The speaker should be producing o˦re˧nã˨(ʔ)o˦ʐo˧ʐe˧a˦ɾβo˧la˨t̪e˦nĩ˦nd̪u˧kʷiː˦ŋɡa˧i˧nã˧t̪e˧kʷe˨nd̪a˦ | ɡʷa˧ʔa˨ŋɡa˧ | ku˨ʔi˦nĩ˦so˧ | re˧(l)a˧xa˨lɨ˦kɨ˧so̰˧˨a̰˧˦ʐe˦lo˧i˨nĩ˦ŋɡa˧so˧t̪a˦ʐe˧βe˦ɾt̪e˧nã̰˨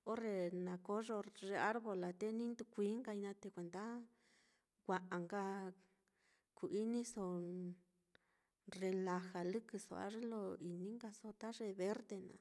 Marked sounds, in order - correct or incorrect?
incorrect: k, correct

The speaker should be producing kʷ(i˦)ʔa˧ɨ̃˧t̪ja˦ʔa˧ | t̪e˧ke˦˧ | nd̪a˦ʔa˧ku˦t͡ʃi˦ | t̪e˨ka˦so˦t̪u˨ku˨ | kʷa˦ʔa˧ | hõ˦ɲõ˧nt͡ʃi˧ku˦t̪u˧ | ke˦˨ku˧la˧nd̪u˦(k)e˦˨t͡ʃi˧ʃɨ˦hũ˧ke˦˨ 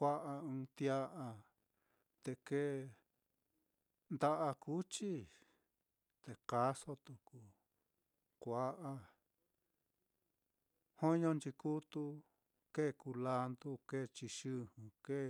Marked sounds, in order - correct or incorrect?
incorrect: a˦, correct

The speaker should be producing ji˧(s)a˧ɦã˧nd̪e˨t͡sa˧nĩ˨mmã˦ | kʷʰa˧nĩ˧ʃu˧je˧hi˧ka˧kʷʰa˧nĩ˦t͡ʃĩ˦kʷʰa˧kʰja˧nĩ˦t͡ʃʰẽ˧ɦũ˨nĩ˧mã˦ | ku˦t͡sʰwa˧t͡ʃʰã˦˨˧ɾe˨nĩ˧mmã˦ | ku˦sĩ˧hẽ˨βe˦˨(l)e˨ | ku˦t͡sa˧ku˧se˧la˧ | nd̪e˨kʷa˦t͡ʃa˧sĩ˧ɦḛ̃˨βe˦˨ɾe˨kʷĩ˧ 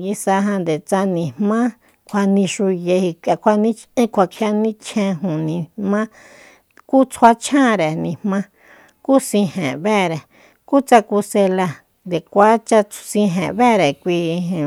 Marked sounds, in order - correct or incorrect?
correct, incorrect: ɾ

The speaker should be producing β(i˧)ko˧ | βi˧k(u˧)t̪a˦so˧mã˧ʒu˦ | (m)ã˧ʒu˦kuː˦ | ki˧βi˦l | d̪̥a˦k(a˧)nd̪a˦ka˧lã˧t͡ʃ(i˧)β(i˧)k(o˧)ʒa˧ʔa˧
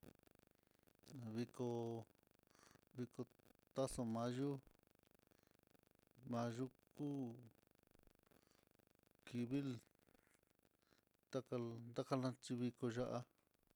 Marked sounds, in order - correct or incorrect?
correct, incorrect: o˧, correct, correct, correct, correct, correct

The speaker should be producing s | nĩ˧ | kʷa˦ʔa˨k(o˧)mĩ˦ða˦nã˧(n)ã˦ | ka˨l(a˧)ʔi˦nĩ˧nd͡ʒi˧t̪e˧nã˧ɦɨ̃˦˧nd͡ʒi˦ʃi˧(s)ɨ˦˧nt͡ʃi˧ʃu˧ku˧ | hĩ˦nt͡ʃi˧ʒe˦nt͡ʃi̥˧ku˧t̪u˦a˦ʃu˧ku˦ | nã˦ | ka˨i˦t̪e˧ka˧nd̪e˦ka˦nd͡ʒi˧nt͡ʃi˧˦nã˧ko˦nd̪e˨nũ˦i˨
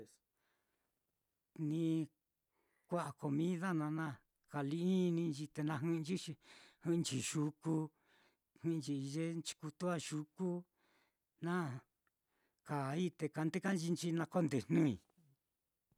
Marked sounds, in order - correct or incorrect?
correct, correct, incorrect: i˧, incorrect: h

